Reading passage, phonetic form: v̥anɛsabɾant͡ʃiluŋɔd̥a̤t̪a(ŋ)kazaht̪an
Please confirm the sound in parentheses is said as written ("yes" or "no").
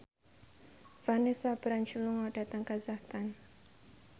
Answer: yes